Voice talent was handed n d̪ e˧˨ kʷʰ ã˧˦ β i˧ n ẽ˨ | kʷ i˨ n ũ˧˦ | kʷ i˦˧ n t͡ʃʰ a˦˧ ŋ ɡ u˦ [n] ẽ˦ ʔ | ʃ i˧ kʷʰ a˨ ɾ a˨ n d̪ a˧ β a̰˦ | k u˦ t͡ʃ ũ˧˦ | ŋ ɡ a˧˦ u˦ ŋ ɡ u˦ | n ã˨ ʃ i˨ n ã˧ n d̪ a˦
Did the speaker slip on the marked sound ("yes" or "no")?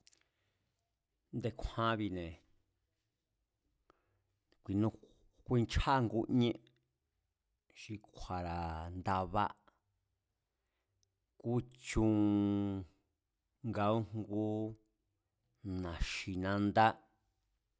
yes